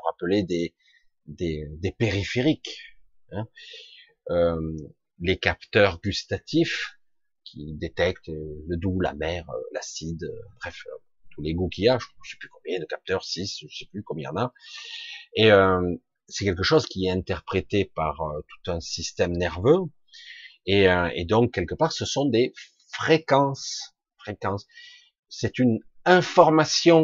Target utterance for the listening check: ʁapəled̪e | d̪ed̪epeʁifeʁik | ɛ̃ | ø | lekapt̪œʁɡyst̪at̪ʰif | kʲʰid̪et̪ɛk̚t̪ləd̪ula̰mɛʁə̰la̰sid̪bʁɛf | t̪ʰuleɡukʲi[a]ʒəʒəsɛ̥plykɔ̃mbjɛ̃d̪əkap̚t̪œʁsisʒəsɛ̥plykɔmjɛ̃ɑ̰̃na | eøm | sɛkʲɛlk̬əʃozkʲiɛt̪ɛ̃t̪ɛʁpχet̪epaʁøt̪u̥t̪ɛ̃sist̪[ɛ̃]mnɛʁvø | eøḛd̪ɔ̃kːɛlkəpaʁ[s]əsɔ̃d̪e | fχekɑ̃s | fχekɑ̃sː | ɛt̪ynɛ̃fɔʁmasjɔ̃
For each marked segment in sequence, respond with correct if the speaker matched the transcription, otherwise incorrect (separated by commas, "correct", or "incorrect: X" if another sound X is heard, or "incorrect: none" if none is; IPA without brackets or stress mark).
correct, incorrect: ɛ, correct